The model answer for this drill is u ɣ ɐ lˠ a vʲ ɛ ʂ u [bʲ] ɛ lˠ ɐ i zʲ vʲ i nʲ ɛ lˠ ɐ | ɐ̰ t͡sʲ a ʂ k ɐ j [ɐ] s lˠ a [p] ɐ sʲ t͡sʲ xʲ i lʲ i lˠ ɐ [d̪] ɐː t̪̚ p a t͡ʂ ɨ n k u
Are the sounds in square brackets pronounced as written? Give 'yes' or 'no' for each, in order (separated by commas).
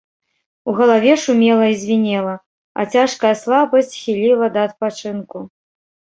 no, yes, no, yes